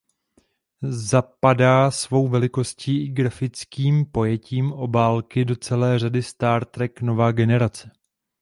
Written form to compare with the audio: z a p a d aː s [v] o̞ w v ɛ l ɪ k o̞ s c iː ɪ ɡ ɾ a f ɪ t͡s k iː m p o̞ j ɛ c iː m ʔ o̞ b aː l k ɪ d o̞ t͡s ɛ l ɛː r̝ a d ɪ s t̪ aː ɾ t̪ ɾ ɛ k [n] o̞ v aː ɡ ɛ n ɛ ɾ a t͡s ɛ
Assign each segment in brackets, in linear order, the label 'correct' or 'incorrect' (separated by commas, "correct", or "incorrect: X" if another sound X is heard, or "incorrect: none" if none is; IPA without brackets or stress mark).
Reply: correct, correct